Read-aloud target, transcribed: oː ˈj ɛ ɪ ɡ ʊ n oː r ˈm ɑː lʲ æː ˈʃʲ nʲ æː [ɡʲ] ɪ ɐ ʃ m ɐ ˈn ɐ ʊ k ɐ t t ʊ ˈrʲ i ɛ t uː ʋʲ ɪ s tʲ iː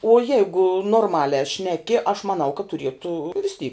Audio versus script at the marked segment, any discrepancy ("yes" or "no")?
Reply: yes